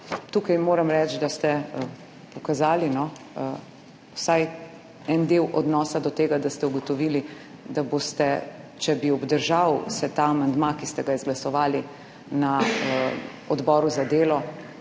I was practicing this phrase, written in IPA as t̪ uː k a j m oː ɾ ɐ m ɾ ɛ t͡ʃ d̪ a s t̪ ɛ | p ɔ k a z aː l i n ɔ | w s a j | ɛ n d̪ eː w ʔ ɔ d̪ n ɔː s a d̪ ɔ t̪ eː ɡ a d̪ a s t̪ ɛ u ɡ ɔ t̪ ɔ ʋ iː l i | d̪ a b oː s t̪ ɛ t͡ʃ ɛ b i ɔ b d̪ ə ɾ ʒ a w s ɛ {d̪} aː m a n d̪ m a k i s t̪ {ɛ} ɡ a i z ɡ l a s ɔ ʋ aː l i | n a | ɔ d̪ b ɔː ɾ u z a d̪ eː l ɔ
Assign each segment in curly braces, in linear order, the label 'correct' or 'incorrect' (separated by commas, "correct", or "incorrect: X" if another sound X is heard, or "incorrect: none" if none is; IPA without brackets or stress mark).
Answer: incorrect: t̪, correct